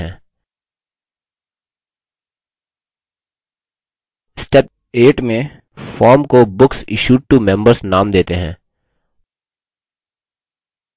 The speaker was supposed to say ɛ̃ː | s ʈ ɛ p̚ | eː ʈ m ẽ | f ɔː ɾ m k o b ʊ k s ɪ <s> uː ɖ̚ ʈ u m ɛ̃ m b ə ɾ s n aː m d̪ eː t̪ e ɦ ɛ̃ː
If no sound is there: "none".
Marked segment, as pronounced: ʃ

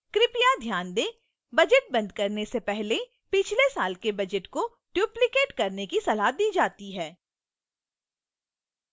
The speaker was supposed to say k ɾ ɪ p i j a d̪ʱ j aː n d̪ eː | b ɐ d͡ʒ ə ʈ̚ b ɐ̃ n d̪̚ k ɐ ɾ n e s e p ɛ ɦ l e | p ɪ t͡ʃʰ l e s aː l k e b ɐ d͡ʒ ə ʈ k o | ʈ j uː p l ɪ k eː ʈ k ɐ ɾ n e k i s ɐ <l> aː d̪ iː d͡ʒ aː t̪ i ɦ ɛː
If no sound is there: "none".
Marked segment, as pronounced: l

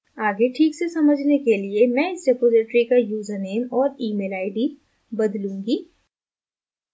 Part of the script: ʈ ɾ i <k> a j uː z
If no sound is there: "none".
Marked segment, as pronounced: k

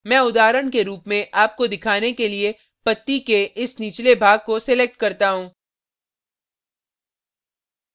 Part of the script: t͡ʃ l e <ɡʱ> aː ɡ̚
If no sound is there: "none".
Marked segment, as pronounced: bʱ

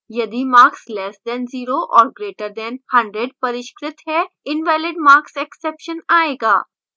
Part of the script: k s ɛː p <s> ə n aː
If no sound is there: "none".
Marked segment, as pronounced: ʃ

